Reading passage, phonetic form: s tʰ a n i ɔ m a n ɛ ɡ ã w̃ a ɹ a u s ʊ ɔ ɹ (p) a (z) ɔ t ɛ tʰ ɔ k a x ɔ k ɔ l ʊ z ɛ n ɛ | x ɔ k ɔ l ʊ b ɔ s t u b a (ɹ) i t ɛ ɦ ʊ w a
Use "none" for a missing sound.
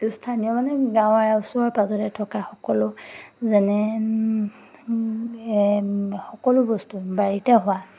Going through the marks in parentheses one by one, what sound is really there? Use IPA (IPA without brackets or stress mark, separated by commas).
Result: p, z, ɹ